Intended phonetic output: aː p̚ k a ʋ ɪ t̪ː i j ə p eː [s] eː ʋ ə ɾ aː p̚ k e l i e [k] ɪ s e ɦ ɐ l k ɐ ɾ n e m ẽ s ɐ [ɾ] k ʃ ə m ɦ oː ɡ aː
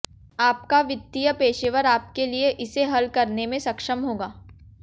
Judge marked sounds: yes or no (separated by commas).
no, no, no